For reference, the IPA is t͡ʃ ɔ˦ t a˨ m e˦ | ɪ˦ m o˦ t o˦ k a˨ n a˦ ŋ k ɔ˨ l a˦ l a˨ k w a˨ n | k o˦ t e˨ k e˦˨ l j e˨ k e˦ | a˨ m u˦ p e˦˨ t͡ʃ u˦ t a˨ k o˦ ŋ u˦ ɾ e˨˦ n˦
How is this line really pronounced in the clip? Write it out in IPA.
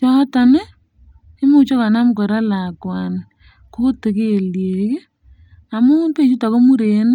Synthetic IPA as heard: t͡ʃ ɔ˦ t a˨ n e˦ | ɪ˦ m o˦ t͡ʃ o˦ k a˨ n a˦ m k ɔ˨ ɾ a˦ l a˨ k w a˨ n | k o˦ t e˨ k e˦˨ l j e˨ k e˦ | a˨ m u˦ p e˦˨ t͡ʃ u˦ t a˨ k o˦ m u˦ ɾ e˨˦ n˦